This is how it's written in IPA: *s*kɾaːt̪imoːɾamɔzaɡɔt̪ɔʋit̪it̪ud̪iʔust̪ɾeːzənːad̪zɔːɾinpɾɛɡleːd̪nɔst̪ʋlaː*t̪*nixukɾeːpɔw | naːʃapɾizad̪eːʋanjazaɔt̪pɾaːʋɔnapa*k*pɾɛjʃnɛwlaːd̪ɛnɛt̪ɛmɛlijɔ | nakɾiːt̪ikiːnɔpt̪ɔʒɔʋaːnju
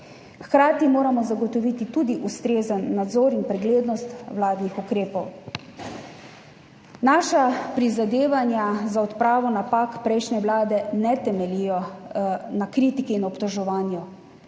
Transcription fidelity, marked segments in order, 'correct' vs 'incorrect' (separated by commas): incorrect, incorrect, correct